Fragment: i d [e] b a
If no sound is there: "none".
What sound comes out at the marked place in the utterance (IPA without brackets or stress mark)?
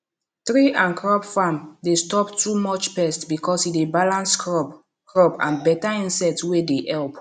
e